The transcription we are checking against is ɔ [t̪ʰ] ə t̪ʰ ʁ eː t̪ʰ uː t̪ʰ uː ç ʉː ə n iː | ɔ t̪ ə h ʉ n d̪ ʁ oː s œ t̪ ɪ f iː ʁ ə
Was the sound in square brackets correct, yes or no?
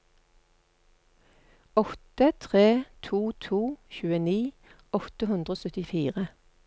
no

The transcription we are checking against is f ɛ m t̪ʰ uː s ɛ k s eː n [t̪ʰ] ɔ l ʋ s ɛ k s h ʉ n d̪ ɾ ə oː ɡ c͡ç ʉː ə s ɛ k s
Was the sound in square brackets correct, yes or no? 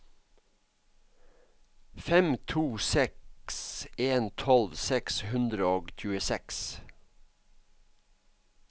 yes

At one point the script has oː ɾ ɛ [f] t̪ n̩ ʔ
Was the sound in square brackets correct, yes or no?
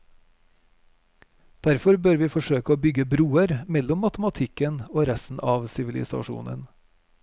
no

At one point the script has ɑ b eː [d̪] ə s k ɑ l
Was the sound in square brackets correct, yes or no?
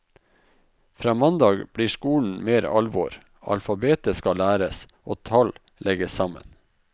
no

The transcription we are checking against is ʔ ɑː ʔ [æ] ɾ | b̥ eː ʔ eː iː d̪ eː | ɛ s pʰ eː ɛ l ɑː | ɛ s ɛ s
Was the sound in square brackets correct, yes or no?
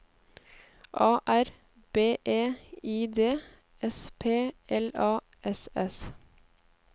yes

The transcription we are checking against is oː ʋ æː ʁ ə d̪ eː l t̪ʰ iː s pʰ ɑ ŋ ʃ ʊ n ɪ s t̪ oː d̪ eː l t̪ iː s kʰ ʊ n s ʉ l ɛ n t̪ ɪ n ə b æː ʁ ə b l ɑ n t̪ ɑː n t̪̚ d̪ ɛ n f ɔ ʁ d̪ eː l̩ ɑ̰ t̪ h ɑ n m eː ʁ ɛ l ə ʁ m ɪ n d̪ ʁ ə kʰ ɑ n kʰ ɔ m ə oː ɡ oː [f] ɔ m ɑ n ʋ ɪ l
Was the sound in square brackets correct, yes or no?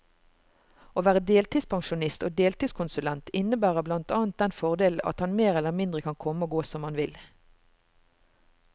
no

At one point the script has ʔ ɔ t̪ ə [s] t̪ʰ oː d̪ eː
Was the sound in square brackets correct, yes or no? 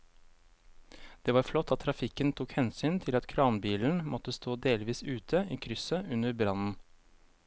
yes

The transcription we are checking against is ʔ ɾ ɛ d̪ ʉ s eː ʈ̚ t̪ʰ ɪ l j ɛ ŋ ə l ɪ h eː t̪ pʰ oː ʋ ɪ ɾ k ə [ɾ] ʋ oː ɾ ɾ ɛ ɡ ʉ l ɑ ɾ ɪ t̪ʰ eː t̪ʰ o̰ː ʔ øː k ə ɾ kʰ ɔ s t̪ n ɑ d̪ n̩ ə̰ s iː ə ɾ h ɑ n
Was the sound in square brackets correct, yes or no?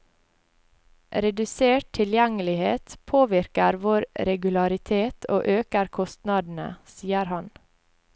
yes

